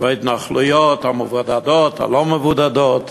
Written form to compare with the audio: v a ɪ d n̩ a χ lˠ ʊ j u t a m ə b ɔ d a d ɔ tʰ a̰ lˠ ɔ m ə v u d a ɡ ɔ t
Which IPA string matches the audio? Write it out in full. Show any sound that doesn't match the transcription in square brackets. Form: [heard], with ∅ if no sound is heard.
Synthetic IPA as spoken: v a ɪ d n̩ a χ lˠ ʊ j [ɔ] t a m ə [v] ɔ d a d ɔ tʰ a̰ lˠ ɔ m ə v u d a [d] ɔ t